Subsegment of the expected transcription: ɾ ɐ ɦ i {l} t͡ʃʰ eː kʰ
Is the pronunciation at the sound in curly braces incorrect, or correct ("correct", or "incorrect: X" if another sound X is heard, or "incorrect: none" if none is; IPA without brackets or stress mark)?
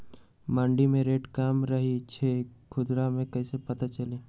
incorrect: none